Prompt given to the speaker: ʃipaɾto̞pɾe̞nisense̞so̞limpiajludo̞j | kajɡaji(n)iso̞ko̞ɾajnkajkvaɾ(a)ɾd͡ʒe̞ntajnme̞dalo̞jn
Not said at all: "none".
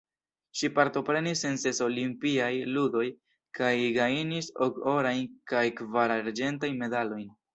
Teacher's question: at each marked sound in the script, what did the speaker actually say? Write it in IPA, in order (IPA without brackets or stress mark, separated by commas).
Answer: n, a